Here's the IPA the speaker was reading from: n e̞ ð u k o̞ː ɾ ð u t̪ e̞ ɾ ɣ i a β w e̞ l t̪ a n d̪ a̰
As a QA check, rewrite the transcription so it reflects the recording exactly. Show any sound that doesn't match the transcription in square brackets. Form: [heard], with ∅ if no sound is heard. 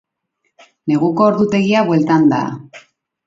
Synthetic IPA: n e̞ [ɣ] u k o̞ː ɾ ð u t̪ e̞ [∅] ɣ i a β w e̞ l t̪ a n d̪ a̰